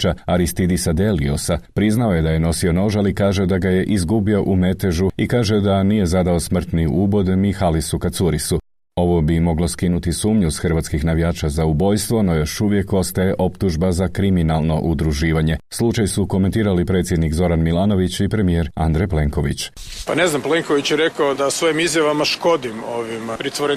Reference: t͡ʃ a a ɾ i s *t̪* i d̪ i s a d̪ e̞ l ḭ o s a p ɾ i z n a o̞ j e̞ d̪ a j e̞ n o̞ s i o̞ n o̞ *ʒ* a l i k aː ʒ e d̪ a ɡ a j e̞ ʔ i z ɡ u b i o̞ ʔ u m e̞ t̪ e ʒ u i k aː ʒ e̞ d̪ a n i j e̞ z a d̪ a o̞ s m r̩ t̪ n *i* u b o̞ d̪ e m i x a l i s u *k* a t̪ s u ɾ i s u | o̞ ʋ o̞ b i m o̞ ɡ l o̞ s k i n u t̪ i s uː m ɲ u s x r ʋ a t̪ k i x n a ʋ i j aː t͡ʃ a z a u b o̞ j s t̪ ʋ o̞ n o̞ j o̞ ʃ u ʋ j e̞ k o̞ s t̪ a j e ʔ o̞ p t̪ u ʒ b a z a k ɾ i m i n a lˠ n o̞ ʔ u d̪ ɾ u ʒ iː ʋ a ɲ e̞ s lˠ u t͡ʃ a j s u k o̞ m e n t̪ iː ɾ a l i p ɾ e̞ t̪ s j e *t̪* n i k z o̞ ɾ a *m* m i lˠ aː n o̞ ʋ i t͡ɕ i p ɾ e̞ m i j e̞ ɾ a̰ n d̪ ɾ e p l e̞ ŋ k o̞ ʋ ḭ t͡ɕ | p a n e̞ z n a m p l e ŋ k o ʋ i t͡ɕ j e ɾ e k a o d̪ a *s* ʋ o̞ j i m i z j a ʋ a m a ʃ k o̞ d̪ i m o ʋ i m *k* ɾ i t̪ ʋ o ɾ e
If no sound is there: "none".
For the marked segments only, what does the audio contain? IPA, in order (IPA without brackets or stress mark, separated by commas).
t̪, ʒ, i, k, d̪, n, s, p